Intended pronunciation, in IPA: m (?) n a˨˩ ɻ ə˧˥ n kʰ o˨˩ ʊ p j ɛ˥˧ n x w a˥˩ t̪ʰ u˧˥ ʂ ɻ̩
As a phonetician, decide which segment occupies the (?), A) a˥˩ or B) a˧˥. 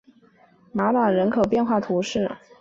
B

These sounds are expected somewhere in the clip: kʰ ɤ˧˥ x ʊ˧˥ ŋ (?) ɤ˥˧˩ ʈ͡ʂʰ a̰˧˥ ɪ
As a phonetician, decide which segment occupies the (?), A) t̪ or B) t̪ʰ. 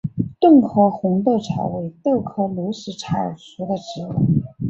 A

